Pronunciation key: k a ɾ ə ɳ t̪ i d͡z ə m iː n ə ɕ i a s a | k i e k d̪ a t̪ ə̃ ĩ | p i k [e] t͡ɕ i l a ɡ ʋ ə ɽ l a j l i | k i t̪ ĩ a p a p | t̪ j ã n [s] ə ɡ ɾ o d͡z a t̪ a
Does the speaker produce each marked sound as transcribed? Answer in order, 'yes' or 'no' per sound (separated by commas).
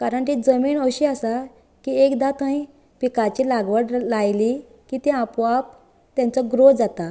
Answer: no, no